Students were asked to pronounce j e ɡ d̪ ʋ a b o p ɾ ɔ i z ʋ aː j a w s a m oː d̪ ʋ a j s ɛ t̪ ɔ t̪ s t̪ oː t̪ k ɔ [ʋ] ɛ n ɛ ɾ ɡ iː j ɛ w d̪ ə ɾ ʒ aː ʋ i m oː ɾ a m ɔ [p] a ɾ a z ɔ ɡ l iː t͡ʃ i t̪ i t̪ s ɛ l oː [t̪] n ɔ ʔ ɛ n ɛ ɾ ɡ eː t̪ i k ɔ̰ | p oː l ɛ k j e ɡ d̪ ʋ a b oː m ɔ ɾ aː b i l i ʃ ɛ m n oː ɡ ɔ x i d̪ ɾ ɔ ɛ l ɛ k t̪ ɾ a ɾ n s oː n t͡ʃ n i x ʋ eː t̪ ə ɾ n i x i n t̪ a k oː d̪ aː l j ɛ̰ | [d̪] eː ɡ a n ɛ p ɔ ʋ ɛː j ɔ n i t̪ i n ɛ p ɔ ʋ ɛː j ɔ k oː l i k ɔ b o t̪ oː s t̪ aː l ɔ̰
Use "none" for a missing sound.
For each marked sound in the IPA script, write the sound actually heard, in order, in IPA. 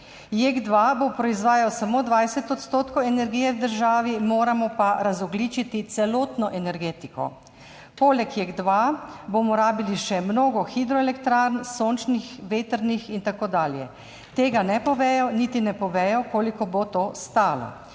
w, p, t̪, t̪

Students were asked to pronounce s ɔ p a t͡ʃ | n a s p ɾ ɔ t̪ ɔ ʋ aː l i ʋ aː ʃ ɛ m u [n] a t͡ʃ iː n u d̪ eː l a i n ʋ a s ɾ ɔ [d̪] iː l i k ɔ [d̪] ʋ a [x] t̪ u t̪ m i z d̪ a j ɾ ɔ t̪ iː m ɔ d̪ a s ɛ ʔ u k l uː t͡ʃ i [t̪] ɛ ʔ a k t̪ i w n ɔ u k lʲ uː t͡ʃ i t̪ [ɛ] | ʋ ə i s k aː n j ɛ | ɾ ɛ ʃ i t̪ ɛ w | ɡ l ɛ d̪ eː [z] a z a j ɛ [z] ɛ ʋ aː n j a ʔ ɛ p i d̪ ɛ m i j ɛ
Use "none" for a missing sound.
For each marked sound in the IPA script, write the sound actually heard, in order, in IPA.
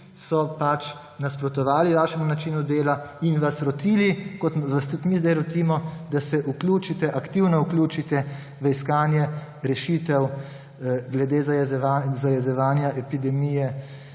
n, t̪, t̪, s, t̪, ɛ, z, z

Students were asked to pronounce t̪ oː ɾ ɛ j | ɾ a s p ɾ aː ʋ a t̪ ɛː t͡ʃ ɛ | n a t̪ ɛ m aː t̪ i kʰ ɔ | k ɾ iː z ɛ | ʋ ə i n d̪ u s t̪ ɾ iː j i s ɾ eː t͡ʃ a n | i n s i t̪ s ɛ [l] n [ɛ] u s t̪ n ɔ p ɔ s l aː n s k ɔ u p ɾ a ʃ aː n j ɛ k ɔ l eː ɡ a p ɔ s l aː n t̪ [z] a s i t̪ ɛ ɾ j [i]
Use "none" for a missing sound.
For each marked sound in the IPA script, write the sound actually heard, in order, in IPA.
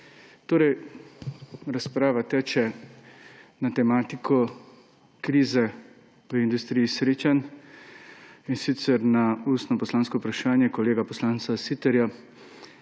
ɾ, a, s, a

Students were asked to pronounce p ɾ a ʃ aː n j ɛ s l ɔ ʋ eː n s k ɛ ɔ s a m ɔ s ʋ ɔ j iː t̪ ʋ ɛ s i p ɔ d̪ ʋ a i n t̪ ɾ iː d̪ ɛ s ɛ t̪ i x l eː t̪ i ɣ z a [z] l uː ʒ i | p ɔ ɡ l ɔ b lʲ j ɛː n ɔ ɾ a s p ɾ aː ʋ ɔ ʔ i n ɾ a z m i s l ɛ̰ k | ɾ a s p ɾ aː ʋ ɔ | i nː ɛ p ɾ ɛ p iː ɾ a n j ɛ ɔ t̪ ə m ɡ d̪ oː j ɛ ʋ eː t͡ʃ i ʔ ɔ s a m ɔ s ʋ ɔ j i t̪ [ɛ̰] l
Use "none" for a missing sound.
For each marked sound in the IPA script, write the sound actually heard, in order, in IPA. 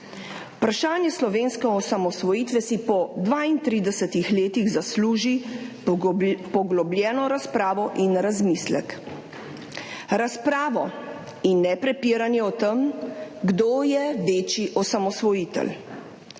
s, ɛ̰

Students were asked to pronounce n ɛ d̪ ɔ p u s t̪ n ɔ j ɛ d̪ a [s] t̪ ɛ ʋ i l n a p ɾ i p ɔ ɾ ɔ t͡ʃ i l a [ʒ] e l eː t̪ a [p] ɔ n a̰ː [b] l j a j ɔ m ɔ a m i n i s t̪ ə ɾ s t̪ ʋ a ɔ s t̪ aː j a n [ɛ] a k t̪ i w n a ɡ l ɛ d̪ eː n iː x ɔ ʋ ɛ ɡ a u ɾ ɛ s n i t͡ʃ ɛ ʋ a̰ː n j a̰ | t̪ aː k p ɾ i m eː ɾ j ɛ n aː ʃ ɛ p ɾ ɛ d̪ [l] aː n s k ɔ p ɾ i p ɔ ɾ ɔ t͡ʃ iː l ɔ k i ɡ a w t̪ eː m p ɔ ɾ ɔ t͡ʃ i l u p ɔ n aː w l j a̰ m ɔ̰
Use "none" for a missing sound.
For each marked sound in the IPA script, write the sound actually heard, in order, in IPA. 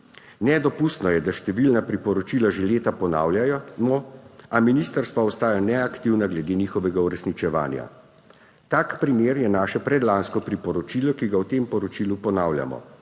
ʃ, ʒ, p, w, ɛ, l

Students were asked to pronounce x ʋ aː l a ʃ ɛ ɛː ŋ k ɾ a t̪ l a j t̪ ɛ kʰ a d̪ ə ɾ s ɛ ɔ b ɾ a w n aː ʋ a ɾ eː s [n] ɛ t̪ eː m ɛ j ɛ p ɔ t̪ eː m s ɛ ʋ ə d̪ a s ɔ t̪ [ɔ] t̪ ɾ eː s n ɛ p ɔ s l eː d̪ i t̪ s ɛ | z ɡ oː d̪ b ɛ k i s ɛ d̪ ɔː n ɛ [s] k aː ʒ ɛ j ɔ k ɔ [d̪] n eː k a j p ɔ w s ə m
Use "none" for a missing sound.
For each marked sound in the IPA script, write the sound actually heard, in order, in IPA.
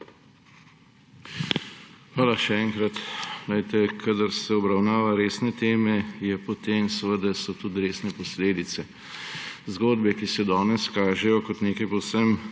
n, u, s, t̪

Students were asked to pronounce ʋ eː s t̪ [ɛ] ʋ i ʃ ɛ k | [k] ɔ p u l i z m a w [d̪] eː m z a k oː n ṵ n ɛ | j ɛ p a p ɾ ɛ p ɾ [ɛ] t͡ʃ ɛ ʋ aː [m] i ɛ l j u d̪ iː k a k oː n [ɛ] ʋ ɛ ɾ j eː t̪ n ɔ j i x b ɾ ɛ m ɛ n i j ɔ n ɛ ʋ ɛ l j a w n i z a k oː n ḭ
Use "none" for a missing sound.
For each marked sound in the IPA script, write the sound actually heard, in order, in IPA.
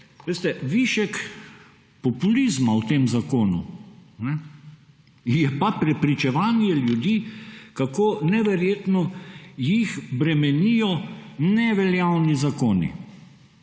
ɛ, p, t̪, i, n, ɛ

